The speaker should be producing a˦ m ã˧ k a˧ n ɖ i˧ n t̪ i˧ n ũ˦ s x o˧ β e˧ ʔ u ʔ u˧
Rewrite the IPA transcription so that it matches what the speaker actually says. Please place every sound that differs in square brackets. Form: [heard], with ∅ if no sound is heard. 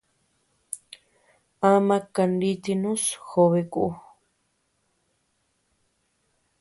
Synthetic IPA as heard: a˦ m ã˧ k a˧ n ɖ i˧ [∅] t̪ i˧ n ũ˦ s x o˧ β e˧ [k] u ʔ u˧

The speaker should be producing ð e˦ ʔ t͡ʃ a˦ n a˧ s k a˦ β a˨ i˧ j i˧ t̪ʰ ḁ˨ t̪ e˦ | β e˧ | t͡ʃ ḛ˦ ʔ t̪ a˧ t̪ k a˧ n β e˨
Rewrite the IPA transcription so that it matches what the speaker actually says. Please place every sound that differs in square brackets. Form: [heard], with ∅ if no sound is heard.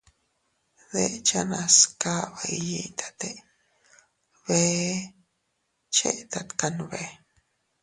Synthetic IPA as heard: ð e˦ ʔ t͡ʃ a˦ n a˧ s k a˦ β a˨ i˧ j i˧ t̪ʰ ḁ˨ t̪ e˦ | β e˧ | t͡ʃ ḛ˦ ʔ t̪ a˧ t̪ k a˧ n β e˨

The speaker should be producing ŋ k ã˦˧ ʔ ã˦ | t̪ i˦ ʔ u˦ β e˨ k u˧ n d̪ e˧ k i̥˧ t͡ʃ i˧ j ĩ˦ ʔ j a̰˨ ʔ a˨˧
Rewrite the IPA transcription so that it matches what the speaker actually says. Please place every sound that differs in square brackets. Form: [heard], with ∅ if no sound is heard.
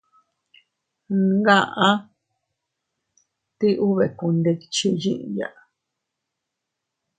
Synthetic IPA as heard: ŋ [ɡ] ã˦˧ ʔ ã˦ | t̪ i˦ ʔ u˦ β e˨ k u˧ n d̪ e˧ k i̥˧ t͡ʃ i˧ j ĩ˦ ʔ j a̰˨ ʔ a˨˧

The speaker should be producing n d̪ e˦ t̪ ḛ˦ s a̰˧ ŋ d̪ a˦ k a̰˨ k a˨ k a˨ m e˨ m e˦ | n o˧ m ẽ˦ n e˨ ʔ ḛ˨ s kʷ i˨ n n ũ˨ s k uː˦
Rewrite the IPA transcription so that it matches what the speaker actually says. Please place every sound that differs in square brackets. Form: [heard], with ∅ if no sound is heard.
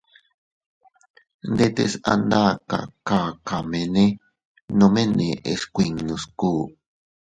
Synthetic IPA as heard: n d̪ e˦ t̪ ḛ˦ s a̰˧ [n] d̪ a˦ k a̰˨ k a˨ k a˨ m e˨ [n] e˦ | n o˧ m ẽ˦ n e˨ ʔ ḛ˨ s kʷ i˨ [ŋ] n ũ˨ s k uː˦

